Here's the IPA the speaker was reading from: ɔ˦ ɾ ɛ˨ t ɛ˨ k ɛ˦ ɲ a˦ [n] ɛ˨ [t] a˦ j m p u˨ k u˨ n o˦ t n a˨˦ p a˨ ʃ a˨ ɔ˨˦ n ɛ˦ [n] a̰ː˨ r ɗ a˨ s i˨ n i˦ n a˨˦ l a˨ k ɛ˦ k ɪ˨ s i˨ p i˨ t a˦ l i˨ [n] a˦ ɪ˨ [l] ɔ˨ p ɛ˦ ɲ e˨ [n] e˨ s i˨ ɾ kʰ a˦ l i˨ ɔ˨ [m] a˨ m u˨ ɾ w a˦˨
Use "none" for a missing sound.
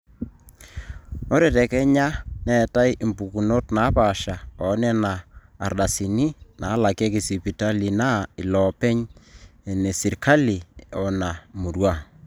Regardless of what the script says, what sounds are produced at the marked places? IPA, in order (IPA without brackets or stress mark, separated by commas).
n, t, n, n, l, n, n